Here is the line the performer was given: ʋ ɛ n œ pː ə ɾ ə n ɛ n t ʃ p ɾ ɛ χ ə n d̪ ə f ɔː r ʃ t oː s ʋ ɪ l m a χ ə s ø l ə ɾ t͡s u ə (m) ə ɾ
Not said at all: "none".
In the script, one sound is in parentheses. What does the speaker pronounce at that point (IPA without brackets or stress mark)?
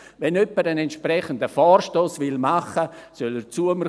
m